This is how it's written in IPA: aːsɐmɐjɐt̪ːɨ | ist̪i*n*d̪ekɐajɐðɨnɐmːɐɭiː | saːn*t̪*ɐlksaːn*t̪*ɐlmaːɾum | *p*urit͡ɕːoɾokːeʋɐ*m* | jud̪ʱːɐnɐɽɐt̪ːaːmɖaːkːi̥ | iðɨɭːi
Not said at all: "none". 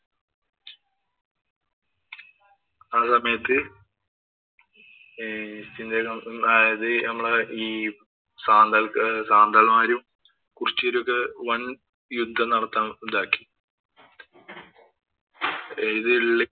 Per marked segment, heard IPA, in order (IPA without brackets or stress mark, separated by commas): n, d̪, d̪, k, n